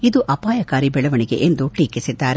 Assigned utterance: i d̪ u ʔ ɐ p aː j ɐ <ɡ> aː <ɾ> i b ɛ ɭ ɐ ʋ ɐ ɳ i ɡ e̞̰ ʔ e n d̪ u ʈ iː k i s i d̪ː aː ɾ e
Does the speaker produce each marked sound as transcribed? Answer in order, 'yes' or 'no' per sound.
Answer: no, yes

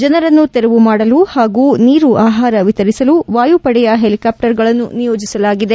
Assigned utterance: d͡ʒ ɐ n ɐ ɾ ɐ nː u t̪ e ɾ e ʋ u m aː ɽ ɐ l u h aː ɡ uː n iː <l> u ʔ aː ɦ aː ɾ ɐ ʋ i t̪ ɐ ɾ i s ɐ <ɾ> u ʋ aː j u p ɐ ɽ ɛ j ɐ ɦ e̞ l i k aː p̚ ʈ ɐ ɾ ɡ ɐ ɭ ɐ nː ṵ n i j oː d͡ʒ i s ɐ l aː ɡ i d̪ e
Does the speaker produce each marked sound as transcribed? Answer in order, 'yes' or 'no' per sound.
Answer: no, no

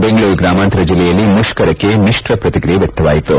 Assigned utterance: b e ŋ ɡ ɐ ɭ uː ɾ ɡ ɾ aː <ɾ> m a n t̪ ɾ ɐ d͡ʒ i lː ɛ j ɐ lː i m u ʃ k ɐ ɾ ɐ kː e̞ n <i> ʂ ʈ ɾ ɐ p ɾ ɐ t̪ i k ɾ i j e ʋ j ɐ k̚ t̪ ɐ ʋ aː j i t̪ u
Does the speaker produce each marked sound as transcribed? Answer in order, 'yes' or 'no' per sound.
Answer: no, yes

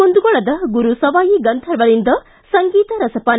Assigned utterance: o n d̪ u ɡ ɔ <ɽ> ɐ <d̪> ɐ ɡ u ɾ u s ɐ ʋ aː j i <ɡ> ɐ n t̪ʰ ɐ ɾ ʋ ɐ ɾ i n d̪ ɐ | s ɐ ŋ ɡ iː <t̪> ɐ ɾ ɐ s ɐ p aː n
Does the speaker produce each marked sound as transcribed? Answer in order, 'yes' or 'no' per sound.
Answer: no, yes, yes, yes

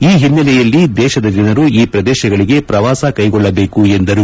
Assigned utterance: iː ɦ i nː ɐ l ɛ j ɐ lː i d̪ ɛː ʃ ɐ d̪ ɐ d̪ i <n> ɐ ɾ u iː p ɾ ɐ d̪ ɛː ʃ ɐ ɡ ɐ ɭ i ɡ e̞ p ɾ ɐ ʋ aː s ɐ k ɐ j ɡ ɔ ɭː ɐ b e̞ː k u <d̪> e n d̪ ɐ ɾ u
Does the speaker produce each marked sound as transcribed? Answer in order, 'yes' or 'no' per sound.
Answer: yes, no

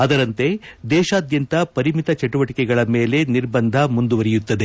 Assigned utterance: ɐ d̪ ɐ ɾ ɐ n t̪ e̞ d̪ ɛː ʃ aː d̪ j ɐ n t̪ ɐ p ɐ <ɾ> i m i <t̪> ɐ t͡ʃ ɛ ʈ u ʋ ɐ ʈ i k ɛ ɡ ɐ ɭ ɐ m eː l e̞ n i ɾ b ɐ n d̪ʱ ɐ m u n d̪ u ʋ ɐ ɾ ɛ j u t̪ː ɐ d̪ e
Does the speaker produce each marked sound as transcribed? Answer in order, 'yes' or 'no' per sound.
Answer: yes, yes

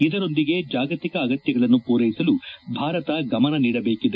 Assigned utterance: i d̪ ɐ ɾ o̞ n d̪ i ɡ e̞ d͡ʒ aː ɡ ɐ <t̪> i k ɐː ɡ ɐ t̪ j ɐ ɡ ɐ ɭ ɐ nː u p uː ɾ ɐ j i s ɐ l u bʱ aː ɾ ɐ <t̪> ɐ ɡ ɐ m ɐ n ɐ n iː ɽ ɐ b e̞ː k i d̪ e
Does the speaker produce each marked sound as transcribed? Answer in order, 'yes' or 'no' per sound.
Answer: yes, yes

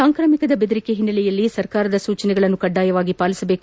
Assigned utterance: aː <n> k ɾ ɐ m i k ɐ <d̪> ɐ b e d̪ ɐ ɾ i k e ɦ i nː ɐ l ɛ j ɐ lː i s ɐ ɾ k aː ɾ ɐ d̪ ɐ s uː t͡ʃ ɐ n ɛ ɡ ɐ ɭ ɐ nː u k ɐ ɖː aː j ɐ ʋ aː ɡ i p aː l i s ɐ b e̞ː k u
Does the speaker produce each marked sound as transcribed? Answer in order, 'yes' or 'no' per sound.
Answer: no, yes

